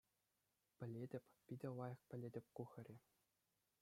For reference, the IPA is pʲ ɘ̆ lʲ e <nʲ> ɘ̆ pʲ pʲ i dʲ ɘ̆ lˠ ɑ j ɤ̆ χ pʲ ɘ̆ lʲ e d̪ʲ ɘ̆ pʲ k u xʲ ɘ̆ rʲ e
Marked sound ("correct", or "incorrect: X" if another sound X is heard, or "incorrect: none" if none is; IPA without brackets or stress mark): incorrect: dʲ